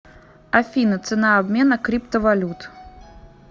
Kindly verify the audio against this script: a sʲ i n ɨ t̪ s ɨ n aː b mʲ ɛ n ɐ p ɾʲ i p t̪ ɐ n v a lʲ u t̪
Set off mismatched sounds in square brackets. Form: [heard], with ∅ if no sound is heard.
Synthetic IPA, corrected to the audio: a [fʲ] i n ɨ t̪ s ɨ n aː b mʲ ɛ n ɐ [k] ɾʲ i p t̪ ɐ [∅] v a lʲ u t̪